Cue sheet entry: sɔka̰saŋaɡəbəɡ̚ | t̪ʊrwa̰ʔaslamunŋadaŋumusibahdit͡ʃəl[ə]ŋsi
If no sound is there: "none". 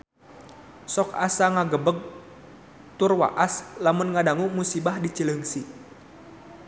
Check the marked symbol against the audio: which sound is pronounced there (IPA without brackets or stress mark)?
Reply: ə